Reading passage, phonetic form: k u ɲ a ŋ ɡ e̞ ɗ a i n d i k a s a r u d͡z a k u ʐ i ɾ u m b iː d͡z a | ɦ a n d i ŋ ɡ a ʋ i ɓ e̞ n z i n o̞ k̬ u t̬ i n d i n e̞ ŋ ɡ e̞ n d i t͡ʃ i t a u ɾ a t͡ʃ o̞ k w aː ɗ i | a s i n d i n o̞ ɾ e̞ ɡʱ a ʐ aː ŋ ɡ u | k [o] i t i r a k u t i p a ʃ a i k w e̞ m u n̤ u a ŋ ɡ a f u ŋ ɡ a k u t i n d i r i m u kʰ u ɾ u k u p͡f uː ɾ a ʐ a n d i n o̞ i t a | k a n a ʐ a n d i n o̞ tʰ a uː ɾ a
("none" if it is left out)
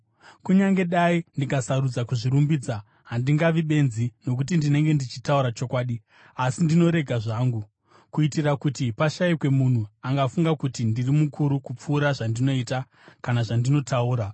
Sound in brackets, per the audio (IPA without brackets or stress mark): u